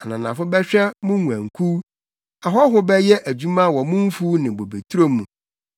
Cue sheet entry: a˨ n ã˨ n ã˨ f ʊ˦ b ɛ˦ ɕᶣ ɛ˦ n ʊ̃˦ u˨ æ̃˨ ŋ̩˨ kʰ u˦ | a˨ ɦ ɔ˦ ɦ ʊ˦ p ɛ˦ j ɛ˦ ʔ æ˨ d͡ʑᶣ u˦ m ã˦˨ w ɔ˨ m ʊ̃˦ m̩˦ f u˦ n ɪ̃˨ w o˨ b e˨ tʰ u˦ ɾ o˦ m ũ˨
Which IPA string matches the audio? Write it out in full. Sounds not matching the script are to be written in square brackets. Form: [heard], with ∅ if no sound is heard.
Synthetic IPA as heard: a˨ n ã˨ n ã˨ f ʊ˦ b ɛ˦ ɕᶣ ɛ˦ [m] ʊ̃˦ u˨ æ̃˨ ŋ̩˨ kʰ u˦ | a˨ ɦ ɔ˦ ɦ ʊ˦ [b] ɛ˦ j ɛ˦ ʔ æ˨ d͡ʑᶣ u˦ m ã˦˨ w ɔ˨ m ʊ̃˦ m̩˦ f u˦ n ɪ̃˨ [b] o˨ b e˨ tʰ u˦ ɾ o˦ m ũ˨